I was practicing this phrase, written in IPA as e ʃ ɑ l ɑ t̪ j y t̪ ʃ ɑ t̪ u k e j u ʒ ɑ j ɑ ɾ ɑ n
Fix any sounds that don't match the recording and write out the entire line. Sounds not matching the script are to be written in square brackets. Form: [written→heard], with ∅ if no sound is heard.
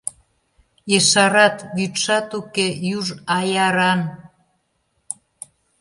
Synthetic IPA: e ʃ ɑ [l→ɾ] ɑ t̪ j y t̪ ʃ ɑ t̪ u k e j u ʒ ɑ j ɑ ɾ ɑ n

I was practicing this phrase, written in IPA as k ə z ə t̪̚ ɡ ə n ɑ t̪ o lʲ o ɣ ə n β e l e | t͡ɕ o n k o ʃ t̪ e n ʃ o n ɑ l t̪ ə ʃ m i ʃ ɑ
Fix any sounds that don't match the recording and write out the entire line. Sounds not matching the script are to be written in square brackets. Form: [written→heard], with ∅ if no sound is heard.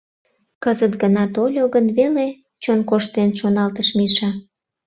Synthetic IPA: k ə z ə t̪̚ ɡ ə n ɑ t̪ o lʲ o ɣ ə n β e l e | t͡ɕ o n k o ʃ t̪ e n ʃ o n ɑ l t̪ ə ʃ m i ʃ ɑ

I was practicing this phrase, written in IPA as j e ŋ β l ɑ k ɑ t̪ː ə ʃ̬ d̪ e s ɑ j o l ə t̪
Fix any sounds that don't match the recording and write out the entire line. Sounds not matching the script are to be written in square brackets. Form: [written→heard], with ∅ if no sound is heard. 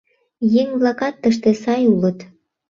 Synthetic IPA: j e ŋ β l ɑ k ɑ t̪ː ə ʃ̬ [d̪→t̪] e s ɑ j [o→u] l ə t̪

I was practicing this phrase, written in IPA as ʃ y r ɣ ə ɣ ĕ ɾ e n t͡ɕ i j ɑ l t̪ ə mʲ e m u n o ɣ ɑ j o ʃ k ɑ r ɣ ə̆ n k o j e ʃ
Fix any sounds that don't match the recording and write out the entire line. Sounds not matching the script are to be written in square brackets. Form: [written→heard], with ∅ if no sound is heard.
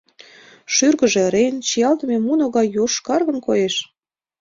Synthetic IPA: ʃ y r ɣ ə [ɣ→ʒ] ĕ ɾ e n t͡ɕ i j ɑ l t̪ ə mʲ e m u n o ɣ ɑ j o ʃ k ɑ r ɣ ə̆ n k o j e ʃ

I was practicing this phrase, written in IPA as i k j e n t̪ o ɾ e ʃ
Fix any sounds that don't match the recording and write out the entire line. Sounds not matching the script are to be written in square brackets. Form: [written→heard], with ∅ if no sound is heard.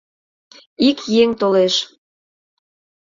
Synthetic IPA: i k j e [n→ŋ] t̪ o [ɾ→l] e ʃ

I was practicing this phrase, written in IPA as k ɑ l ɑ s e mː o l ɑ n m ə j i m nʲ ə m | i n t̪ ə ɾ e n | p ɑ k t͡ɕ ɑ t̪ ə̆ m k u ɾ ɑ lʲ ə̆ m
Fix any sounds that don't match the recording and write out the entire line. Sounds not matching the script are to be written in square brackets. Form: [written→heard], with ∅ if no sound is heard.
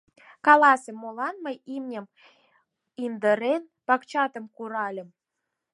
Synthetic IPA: k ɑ l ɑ s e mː o l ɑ n m ə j i m nʲ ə m | i n [t̪→d̪] ə ɾ e n | p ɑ k t͡ɕ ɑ t̪ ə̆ m k u ɾ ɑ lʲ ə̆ m

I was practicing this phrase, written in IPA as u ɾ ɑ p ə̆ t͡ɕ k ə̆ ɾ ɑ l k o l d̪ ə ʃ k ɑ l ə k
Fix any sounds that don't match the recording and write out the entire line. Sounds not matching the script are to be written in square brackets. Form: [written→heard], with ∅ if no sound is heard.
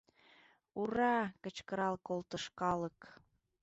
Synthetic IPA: u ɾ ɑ [p→k] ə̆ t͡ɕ k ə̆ ɾ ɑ l k o l [d̪→t̪] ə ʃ k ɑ l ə k

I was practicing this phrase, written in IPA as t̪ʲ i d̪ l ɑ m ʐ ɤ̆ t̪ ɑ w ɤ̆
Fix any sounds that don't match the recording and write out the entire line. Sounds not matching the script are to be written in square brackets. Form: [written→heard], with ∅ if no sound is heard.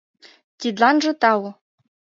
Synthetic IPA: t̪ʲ i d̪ l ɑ [m→n] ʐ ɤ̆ t̪ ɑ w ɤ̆

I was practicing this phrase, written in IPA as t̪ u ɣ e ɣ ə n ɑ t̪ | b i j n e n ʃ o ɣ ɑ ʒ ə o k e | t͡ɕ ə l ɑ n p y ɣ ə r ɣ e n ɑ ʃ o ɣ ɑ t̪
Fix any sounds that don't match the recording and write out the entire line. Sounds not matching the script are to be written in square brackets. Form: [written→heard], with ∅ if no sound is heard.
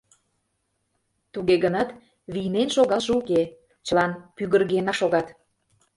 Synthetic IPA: t̪ u ɣ e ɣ ə n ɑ t̪ | [b→β] i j n e n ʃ o ɣ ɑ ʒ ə [o→u] k e | t͡ɕ ə l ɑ n p y ɣ ə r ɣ e n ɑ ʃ o ɣ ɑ t̪

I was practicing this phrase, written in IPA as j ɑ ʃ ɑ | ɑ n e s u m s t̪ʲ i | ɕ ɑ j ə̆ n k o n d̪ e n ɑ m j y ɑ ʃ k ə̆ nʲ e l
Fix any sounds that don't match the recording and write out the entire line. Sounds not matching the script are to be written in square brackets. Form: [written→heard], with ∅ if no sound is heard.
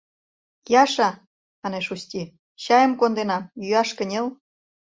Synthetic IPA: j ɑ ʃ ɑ | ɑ n e [s→ʃ] u [m→∅] s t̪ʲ i | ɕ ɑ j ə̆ [n→m] k o n d̪ e n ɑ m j y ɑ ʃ k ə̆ nʲ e l

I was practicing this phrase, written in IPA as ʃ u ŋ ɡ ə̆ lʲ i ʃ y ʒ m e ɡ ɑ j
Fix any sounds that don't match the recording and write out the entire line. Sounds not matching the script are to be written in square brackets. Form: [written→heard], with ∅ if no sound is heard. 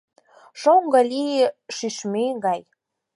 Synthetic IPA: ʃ [u→o] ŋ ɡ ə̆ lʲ i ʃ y [ʒ→ʃ] m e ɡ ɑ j

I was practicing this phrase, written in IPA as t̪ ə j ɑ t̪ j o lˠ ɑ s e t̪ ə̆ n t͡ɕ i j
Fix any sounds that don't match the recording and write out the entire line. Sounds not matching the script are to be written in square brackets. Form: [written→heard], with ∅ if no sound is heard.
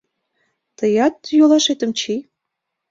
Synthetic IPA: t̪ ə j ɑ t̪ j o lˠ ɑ [s→ʃ] e t̪ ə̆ [n→m] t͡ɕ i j

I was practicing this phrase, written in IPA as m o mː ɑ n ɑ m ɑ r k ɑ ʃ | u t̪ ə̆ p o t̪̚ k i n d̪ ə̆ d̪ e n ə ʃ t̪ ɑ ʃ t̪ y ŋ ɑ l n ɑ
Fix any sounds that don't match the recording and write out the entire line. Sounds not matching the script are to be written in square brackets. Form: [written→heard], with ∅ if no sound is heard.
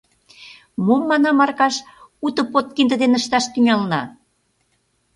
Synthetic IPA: m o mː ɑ n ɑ m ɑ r k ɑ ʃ | u t̪ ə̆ p o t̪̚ k i n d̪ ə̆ d̪ e n ə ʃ t̪ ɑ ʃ t̪ y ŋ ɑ l n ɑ

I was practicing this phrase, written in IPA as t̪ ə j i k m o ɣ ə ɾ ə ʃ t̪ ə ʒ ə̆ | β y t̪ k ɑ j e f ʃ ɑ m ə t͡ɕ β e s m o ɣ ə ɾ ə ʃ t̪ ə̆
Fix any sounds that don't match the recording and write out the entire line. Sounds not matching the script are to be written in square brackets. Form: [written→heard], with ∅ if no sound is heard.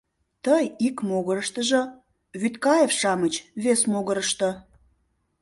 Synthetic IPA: t̪ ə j i k m o ɣ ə ɾ ə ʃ t̪ ə ʒ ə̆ | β y t̪ k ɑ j e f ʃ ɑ m ə t͡ɕ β e s m o ɣ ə ɾ ə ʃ t̪ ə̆

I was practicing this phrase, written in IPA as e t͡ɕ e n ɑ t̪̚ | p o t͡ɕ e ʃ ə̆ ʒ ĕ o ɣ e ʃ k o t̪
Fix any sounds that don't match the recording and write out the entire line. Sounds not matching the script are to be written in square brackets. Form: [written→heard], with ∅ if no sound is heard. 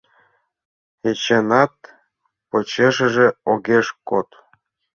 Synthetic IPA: e t͡ɕ e n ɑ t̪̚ | p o t͡ɕ e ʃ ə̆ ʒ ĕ o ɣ e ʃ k o t̪

